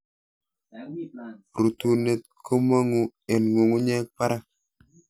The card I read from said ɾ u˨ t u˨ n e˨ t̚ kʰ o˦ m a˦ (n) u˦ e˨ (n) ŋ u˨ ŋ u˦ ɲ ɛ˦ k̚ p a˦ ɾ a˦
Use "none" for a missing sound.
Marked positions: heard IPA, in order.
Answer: ŋ, n

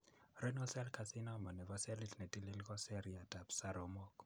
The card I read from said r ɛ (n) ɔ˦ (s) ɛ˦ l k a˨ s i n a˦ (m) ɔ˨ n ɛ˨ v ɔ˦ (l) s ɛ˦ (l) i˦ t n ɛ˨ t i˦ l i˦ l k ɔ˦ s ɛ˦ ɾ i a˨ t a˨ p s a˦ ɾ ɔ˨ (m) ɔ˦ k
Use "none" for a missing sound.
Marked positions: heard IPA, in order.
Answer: n, s, m, none, l, m

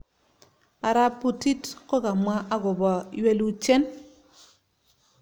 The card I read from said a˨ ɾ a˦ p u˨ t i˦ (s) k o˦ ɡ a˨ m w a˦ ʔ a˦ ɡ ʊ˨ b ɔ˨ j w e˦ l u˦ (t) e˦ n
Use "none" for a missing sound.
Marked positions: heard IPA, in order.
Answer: t, t͡ʃ

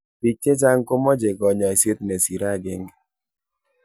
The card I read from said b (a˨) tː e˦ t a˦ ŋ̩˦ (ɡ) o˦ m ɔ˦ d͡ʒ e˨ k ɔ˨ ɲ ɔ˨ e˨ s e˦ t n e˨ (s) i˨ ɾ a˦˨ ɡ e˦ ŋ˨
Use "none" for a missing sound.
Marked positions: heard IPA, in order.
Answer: i˨, k, s

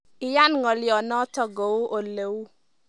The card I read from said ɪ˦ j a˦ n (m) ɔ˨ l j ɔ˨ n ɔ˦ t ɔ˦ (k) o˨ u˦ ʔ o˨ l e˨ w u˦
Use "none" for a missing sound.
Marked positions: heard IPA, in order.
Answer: ŋ, ɡ

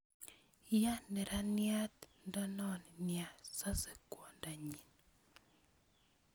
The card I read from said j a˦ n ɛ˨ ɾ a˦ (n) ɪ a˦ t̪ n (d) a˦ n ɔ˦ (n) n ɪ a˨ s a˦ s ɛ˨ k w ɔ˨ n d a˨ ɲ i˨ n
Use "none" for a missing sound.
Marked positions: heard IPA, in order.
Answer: n, d, n

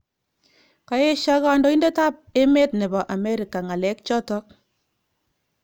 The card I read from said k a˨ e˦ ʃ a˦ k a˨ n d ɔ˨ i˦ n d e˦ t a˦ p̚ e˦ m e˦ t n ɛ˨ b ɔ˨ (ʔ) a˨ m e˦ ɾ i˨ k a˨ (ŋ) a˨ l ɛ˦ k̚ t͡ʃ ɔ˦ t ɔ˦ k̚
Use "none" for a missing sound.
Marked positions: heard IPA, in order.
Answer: ʔ, ŋ

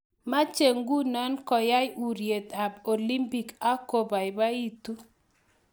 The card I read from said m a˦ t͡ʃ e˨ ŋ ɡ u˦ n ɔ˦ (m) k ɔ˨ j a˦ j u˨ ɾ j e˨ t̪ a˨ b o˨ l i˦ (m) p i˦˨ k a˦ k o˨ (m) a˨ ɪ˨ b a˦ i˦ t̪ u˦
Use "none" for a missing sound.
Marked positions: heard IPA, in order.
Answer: n, m, b

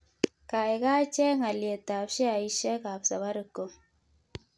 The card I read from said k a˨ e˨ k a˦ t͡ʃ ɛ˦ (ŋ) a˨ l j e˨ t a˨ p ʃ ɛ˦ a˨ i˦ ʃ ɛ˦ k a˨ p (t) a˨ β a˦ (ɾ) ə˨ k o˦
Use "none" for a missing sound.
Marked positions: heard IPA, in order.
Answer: ŋ, s, ɾ

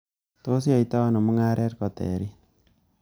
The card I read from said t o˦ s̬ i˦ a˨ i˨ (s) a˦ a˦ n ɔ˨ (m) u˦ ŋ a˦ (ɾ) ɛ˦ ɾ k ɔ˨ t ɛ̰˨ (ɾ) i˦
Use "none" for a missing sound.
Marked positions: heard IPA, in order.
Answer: t, m, ɾ, ɾ

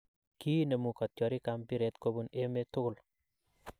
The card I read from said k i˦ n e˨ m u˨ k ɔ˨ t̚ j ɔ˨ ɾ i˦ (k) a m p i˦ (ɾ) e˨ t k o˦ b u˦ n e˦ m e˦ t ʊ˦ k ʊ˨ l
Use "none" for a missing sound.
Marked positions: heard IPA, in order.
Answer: k, ɾ

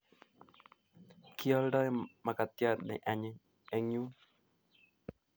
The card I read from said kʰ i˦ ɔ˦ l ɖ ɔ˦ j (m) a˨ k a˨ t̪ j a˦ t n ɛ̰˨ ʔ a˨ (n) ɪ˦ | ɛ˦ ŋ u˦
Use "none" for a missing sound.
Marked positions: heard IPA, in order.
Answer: m, ɲ

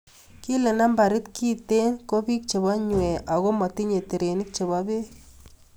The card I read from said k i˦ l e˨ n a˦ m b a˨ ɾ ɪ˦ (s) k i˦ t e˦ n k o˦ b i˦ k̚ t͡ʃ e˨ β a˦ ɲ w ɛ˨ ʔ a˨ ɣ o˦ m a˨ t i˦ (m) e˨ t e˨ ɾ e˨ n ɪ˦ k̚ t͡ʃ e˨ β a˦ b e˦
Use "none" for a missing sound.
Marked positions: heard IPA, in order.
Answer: t, ɲ

